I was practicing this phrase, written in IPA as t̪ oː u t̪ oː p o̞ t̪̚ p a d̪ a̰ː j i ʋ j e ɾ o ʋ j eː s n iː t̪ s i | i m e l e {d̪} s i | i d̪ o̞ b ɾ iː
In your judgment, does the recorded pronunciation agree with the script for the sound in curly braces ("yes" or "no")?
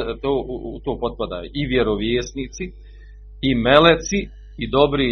no